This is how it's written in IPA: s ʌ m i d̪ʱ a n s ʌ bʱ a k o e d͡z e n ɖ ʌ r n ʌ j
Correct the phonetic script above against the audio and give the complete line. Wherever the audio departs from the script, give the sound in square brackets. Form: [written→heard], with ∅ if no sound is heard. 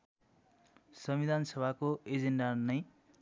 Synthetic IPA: s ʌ m i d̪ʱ a n s ʌ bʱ a k o e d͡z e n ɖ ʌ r n ʌ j